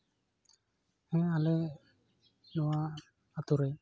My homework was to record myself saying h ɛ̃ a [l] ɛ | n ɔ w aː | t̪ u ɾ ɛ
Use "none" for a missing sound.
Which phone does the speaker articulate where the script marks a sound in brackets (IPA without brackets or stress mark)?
l